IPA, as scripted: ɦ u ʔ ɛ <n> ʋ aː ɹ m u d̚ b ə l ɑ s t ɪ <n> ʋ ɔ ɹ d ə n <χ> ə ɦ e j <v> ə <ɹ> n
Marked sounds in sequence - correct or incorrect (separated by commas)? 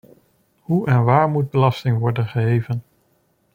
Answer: correct, incorrect, correct, correct, incorrect